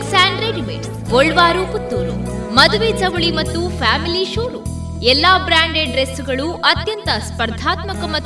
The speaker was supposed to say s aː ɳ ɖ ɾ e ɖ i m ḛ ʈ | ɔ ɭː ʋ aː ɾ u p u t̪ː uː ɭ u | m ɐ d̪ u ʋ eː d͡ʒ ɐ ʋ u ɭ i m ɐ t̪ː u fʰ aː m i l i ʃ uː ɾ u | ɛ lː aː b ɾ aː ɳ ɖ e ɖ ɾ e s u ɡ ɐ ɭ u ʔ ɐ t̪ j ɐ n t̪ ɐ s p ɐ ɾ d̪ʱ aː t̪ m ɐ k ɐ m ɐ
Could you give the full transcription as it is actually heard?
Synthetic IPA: s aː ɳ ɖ ɾ e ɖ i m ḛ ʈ | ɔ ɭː ʋ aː ɾ u p u t̪ː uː ɾ u | m ɐ d̪ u ʋ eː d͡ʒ ɐ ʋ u ɭ i m ɐ t̪ː u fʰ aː m i l i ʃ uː ɾ u | ɛ lː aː b ɾ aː ɳ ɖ e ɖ ɾ e s u ɡ ɐ ɭ u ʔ ɐ t̪ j ɐ n t̪ ɐ s p ɐ ɾ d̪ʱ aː t̪ m ɐ k ɐ m ɐ